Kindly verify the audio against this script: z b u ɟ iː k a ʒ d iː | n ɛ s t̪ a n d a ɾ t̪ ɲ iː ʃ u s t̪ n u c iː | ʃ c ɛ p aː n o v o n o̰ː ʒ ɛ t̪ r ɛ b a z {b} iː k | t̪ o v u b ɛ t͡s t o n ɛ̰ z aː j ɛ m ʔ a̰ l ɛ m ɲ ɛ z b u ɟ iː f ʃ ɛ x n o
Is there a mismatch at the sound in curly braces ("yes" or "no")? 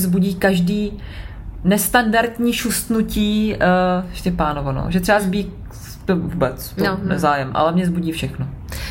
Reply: no